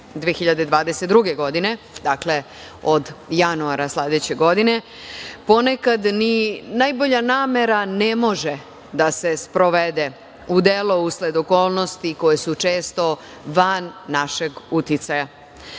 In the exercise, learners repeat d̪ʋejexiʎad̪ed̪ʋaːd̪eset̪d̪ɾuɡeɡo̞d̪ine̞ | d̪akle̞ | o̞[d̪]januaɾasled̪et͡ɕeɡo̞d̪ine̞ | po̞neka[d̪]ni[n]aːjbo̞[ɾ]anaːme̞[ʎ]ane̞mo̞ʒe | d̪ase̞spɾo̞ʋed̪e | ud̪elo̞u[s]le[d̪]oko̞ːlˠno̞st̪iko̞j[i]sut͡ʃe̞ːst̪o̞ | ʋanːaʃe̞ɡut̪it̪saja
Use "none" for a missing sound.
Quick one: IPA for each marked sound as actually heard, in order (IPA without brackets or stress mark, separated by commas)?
d̪, d̪, n, ʎ, ɾ, s, d̪, e